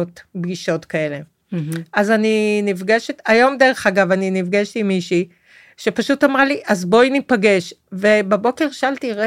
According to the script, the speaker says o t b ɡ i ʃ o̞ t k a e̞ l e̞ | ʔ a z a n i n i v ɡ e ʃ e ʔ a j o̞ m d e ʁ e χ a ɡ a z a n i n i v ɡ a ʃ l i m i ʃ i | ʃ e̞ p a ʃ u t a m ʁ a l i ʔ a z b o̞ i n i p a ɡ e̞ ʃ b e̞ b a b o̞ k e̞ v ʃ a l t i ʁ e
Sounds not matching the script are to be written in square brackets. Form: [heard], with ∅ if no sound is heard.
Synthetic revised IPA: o t b ɡ i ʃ o̞ t k a e̞ l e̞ | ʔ a z a n i n i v ɡ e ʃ e [t] a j o̞ m d e ʁ e χ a ɡ a [v] a n i n i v ɡ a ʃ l i m i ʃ i | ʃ e̞ p a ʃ u t a m ʁ a l i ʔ a z b o̞ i n i p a ɡ e̞ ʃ [v] e̞ b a b o̞ k e̞ [ʁ] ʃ a l t i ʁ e